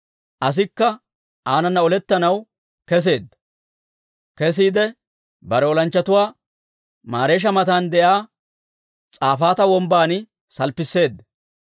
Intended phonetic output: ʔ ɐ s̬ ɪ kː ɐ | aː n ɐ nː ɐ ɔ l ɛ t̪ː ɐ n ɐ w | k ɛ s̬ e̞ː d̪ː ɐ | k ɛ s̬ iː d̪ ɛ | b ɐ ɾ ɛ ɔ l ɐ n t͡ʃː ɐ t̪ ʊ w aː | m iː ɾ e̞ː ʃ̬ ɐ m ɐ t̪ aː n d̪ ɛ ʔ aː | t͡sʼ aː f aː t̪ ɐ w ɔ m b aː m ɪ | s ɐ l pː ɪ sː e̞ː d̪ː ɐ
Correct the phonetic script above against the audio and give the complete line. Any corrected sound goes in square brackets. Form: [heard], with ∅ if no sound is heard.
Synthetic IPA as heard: ʔ ɐ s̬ ɪ kː ɐ | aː n ɐ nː ɐ ɔ l ɛ t̪ː ɐ n ɐ w | k ɛ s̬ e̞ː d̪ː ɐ | k ɛ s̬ iː d̪ ɛ | b ɐ ɾ ɛ ɔ l ɐ n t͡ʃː ɐ t̪ ʊ w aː | m [aː] ɾ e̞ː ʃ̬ ɐ m ɐ t̪ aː n d̪ ɛ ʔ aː | t͡sʼ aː f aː t̪ ɐ w ɔ m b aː [n] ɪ | s ɐ l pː ɪ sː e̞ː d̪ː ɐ